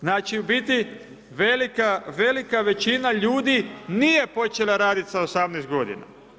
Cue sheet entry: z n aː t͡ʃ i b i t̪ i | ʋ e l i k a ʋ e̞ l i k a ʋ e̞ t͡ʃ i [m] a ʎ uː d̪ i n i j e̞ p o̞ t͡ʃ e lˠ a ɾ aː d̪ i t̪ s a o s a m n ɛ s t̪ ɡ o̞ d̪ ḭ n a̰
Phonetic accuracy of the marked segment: incorrect: n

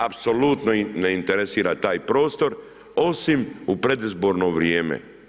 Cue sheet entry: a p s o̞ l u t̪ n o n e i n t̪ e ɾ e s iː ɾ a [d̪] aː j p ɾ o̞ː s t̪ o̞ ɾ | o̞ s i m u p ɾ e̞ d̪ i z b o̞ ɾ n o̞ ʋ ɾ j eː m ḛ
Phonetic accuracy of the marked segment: incorrect: t̪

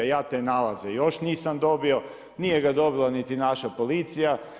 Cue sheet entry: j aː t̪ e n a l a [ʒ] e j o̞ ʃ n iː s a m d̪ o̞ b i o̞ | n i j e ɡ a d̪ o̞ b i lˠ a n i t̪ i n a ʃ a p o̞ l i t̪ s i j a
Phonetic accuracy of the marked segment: incorrect: z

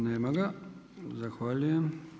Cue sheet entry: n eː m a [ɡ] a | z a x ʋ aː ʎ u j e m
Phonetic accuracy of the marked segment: correct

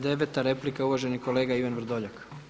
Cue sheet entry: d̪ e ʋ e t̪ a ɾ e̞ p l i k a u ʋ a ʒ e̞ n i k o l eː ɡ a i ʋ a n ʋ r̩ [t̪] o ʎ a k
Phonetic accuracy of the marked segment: incorrect: d̪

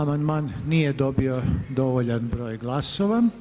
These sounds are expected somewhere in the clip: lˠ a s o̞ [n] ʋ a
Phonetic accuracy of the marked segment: incorrect: none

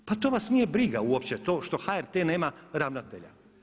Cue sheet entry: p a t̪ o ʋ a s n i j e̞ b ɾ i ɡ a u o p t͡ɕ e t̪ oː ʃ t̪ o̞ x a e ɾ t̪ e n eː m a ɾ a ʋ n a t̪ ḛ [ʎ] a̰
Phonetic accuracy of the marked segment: correct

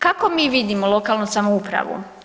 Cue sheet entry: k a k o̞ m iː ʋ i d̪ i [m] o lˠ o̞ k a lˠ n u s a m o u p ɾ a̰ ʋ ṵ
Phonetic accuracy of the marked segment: correct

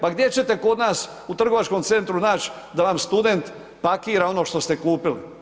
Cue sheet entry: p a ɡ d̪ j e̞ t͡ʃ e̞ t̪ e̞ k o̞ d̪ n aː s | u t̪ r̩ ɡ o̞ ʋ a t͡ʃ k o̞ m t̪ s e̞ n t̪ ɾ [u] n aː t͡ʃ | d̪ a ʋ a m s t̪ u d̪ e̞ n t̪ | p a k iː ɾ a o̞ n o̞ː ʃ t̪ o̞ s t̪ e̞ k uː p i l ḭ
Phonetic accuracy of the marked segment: correct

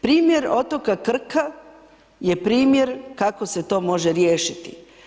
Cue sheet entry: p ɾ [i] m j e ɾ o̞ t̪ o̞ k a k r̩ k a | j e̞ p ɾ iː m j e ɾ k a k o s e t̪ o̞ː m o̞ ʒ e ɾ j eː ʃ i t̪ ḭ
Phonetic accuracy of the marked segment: incorrect: iː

